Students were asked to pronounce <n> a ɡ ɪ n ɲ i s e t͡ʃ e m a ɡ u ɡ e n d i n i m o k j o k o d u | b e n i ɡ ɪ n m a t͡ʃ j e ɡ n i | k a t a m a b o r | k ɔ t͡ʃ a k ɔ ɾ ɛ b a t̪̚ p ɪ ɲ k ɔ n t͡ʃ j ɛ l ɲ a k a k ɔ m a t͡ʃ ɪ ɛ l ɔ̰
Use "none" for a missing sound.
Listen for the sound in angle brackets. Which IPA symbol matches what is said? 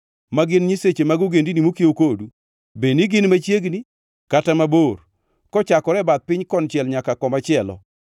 m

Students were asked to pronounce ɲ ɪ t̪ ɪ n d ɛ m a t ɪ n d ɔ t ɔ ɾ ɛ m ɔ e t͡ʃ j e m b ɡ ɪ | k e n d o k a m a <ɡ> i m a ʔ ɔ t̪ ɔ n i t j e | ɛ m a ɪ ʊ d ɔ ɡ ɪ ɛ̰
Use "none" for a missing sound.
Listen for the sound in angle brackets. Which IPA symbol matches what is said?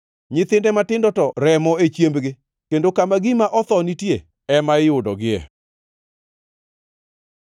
ɡ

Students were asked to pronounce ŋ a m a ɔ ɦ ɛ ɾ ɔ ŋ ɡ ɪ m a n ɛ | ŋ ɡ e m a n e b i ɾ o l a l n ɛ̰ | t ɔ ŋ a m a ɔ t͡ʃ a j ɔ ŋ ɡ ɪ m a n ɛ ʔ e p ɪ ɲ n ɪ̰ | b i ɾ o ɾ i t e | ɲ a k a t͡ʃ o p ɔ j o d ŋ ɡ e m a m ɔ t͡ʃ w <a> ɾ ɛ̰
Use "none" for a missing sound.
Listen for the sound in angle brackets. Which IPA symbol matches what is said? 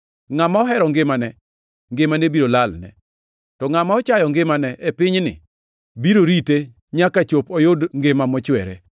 ɛ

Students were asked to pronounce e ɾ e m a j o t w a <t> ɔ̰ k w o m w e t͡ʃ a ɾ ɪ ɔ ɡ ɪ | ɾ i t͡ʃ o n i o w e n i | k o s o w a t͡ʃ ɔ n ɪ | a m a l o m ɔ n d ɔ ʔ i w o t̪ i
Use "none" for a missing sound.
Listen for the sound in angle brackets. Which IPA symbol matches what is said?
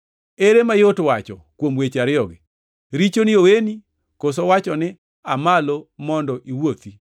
t͡ʃ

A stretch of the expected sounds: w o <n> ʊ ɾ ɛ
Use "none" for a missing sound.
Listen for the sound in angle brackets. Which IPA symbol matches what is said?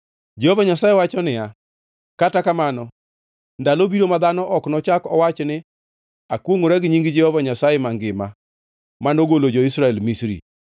ŋ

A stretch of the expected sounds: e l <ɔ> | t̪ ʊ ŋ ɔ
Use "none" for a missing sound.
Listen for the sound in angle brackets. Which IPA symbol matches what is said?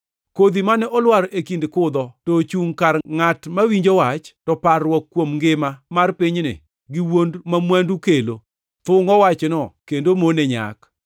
o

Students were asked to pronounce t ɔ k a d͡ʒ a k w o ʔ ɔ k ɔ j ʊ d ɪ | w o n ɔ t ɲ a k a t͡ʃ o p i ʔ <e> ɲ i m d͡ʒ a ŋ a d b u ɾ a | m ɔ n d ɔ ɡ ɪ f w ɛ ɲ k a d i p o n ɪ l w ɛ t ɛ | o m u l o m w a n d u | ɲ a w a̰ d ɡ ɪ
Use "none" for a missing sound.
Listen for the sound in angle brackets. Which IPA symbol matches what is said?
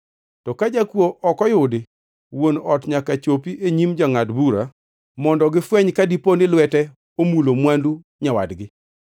e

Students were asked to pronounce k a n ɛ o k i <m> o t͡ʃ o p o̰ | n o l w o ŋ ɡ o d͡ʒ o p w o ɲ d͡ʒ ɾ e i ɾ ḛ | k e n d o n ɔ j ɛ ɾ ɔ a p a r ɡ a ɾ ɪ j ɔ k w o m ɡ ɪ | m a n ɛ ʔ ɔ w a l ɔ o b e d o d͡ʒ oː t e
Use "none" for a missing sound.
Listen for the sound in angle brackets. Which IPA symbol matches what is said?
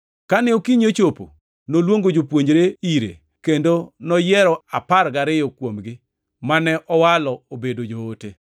ɲ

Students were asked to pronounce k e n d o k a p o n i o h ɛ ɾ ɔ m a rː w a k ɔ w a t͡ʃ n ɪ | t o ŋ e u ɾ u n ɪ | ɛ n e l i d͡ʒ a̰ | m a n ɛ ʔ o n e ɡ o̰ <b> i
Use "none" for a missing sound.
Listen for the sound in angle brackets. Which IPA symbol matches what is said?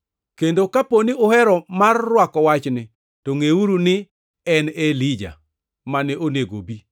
b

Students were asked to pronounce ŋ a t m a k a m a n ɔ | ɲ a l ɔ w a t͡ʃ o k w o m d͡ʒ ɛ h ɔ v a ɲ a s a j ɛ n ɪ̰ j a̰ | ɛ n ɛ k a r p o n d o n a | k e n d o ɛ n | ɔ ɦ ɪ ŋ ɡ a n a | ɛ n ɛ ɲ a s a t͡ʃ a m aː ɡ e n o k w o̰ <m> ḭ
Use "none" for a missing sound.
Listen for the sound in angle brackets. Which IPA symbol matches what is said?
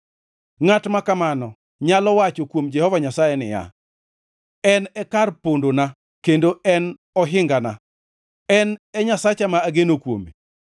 m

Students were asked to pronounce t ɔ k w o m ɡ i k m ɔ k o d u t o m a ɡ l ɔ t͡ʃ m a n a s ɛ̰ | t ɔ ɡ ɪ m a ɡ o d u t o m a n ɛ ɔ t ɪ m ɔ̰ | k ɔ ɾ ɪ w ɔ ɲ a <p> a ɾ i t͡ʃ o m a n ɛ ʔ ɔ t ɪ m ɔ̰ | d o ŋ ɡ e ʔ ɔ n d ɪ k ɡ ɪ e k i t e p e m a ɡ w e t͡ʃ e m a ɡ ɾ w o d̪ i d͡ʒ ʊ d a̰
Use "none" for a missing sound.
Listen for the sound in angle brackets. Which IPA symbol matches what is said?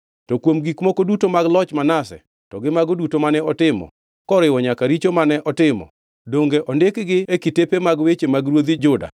k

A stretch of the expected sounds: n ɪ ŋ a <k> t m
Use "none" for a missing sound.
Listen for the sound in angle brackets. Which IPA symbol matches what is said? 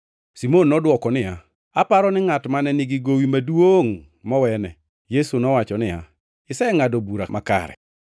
none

